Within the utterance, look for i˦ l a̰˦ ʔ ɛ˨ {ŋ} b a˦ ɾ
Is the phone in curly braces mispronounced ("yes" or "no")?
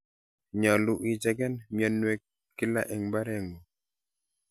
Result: no